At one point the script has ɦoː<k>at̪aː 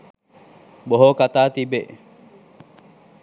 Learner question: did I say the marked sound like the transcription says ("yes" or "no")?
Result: yes